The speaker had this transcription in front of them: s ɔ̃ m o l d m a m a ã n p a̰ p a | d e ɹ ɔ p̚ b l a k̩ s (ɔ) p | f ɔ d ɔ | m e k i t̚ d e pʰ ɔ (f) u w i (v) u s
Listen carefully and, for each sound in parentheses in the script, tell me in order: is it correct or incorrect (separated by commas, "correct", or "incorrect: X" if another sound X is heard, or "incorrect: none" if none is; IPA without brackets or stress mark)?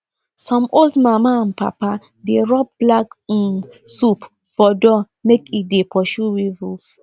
incorrect: u, incorrect: ʃ, correct